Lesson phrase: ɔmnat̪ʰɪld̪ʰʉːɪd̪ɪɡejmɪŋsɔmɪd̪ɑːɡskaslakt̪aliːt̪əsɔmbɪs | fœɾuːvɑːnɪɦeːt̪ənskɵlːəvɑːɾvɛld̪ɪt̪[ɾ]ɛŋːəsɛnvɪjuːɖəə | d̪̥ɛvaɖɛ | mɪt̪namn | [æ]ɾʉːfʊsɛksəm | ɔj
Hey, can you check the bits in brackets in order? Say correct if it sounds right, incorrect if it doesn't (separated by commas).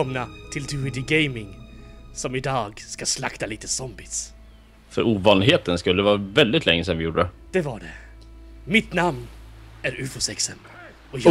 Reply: incorrect, correct